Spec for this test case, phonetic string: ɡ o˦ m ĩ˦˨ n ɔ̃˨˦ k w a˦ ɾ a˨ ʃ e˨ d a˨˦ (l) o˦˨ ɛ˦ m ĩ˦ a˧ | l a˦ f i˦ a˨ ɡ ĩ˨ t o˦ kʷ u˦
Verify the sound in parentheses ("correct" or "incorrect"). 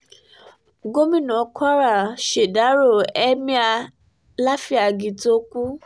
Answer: incorrect